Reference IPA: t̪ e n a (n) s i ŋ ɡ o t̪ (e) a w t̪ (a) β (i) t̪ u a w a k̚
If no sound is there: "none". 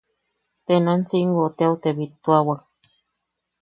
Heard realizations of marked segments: n, e, e, i

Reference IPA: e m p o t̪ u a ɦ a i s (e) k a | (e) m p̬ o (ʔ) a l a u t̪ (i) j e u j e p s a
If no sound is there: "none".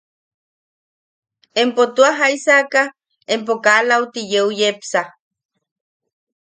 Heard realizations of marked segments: a, e, k, i

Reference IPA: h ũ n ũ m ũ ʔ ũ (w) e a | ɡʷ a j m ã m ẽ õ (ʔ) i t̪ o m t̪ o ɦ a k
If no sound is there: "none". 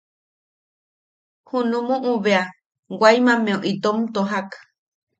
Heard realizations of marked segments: β, ʔ

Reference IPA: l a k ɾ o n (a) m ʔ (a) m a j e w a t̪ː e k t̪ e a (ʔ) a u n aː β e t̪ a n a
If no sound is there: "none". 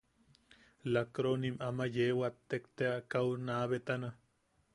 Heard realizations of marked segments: i, a, k

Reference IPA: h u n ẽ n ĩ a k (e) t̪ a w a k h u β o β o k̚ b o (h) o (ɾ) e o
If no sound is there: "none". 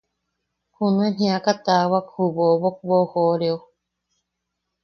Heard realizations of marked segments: a, h, ɾ

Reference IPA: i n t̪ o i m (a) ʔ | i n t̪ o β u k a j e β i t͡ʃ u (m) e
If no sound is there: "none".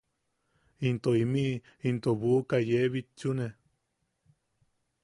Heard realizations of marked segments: i, n

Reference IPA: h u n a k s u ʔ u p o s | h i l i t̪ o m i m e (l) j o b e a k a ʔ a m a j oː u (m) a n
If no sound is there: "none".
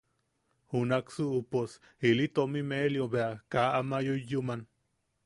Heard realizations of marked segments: l, m

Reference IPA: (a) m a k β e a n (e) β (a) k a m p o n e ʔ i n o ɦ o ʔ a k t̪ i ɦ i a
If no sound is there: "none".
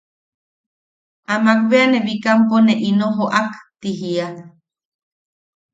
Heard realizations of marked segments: a, e, i

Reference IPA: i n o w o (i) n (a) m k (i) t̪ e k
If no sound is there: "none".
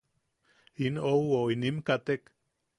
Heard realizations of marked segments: i, i, a

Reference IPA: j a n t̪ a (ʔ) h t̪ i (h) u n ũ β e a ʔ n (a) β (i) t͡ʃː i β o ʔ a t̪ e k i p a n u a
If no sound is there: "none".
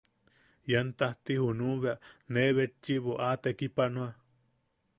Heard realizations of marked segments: none, h, e, e

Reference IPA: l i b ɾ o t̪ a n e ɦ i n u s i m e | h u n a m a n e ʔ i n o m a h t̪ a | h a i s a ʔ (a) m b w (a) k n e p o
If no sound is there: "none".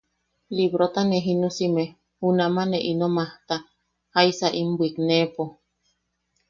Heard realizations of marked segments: i, i

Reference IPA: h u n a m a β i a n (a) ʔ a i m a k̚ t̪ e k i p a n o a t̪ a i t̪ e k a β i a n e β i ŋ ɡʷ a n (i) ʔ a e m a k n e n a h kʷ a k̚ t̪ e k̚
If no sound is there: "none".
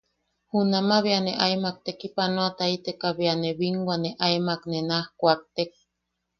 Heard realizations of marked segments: e, e

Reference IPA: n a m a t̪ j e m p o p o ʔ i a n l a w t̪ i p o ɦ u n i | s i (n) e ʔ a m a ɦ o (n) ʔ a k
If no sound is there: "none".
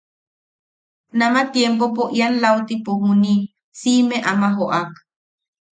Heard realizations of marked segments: m, none

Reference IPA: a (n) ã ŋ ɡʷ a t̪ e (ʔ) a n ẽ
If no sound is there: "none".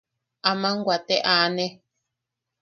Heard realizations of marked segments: m, ʔ

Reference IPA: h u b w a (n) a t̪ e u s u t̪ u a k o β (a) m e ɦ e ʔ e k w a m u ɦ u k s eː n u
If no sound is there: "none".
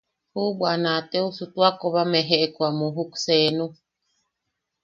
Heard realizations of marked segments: n, a

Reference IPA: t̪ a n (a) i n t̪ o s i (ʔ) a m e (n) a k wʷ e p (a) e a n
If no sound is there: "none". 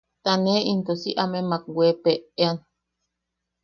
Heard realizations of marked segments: e, ʔ, m, e

